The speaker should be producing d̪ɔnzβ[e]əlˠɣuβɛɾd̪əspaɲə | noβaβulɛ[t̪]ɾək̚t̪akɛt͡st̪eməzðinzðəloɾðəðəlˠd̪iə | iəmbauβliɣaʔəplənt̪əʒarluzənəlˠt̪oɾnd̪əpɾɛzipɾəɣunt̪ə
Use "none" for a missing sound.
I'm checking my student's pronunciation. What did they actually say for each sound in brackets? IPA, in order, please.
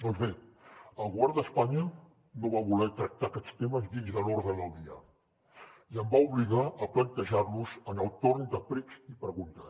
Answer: e, t̪

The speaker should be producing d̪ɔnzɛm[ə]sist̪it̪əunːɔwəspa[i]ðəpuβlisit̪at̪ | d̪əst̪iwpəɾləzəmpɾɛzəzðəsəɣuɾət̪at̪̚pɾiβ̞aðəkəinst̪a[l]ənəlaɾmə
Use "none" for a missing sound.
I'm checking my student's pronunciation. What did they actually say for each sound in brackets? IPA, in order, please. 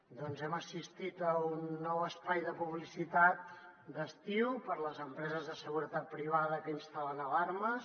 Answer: ə, j, l

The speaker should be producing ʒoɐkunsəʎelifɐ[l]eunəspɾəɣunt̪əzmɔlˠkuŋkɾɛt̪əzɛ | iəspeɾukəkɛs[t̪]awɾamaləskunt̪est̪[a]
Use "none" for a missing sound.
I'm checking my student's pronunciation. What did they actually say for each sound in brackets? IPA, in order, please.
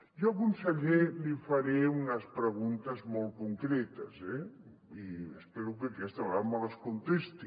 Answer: ɾ, t̪, i

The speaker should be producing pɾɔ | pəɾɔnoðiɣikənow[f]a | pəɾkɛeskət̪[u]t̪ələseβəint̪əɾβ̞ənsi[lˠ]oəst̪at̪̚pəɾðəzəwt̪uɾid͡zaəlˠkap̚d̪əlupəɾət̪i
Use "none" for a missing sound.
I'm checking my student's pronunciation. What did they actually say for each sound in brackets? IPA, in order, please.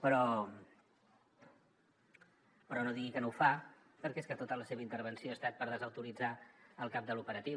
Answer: f, o, none

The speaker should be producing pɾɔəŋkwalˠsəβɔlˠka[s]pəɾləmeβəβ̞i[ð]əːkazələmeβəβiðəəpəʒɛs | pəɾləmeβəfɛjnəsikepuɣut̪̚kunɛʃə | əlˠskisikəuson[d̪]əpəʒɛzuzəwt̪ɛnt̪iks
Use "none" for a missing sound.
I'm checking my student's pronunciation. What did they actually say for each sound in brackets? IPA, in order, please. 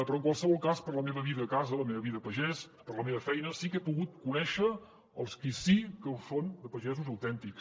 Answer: s, ð, d̪

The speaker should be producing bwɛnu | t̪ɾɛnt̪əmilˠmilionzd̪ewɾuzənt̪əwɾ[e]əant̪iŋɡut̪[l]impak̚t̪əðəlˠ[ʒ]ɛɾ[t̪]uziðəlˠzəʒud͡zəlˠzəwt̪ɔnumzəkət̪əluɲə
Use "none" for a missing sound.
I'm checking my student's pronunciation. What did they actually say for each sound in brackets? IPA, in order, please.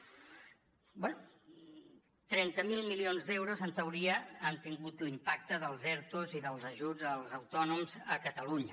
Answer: i, l, z, t̪

